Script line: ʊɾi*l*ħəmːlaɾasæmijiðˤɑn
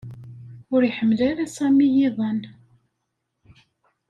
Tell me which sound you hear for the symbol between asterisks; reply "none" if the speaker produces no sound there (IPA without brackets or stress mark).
none